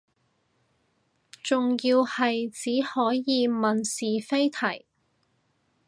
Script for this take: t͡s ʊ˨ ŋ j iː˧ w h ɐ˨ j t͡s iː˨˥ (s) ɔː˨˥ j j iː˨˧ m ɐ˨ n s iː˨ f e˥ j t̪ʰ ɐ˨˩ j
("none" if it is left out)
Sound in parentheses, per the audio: h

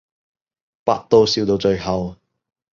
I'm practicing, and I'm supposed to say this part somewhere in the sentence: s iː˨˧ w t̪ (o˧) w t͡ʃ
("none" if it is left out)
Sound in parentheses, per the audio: o˧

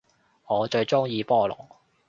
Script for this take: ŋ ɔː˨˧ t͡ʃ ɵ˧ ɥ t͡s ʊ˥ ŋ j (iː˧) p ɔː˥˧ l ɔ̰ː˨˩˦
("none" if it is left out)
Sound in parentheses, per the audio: iː˧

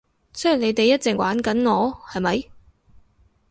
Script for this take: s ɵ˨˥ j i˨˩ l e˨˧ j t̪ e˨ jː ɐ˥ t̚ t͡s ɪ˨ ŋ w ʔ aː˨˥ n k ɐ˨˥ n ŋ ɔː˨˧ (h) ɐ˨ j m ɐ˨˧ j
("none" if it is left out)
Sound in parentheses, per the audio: h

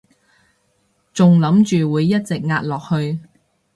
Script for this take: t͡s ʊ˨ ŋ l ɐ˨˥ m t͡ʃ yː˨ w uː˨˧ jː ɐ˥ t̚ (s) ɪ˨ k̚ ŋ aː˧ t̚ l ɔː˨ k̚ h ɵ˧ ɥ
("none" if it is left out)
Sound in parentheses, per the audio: t͡s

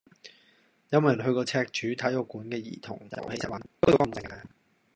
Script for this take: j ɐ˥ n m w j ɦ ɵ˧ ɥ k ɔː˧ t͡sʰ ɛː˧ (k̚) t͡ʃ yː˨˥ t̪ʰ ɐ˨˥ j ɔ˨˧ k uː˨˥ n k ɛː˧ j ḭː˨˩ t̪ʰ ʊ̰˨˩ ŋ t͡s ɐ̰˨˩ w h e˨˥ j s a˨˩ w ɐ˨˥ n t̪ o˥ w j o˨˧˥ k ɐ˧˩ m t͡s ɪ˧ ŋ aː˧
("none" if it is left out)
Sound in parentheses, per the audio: k̚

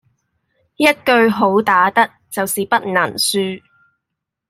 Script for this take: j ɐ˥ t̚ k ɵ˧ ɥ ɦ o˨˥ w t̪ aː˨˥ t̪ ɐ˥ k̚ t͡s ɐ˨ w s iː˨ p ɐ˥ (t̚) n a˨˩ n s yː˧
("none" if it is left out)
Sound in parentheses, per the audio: t̚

